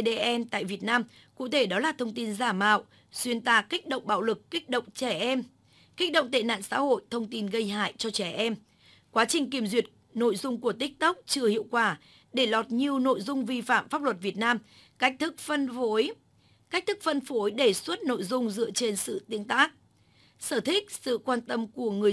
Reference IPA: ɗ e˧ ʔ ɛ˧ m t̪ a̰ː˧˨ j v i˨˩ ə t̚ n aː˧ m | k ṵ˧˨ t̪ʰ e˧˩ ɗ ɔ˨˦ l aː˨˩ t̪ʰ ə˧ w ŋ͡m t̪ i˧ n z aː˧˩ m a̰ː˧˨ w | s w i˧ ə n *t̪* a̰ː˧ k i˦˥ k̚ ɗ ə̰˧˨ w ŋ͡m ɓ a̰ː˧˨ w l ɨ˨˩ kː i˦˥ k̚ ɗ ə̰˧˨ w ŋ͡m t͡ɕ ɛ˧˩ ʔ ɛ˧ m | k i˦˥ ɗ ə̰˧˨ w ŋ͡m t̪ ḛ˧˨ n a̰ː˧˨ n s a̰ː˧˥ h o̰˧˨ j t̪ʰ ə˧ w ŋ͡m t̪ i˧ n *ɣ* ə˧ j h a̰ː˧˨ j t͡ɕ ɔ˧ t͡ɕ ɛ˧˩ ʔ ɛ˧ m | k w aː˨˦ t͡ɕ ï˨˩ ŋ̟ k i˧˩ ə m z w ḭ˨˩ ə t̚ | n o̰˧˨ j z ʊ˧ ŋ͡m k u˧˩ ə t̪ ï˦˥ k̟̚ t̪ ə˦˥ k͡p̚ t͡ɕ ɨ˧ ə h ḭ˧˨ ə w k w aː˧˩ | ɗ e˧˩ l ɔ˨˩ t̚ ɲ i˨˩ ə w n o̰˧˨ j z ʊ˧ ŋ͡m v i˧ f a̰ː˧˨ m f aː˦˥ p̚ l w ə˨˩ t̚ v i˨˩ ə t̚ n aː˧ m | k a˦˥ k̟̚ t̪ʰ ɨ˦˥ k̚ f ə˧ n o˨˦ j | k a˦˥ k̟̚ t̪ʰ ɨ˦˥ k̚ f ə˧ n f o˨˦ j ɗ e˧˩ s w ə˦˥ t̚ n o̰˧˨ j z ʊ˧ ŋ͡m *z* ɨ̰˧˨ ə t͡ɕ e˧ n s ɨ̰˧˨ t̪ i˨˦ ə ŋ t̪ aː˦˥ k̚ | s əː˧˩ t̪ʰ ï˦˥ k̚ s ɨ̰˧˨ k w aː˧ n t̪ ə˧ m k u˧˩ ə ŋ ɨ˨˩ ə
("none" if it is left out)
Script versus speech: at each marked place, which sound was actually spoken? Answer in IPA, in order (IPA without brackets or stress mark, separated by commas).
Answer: t̪, ɣ, z